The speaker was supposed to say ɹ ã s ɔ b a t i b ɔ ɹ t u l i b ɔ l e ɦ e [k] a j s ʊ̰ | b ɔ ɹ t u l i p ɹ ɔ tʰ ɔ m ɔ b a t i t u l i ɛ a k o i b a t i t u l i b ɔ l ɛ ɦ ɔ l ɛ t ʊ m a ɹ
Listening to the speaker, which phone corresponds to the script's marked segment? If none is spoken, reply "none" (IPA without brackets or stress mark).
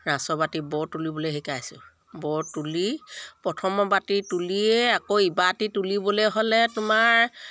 k